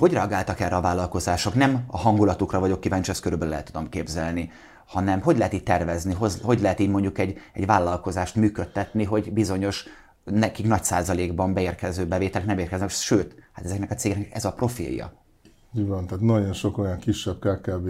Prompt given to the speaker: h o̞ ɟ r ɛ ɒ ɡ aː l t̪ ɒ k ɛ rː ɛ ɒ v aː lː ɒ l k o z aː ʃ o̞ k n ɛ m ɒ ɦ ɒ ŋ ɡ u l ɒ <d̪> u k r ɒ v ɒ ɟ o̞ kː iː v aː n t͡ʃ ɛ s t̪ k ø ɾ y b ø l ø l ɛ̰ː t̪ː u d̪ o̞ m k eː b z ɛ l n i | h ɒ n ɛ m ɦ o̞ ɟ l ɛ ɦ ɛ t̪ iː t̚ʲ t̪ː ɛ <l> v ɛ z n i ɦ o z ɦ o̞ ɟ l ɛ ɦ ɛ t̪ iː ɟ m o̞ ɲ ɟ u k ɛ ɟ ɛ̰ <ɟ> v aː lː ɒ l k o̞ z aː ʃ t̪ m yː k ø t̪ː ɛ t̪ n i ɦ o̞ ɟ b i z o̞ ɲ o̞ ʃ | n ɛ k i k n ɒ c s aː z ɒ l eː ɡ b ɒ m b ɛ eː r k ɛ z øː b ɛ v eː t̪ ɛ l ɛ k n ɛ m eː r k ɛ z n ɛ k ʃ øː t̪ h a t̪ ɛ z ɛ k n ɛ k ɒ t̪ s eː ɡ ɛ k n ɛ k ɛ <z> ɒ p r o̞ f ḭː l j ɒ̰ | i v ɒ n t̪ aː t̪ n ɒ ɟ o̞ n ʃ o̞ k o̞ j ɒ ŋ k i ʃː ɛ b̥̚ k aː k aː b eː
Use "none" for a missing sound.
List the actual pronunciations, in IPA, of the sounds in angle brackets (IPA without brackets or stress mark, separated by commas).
t̪, r, ɟ, z